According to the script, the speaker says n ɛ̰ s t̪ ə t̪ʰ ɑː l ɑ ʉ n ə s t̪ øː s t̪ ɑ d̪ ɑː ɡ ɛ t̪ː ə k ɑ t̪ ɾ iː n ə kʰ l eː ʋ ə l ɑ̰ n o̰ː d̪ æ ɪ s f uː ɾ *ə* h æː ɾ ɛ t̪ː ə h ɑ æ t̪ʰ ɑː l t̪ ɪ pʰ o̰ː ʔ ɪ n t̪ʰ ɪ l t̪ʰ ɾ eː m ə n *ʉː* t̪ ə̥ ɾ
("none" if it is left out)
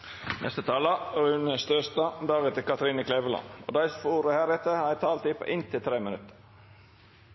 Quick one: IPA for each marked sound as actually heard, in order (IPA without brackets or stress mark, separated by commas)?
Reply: ə, ʉ